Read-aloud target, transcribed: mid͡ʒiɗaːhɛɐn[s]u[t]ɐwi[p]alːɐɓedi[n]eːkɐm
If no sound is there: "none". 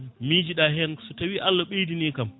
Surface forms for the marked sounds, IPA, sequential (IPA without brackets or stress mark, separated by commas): s, t, ʔ, n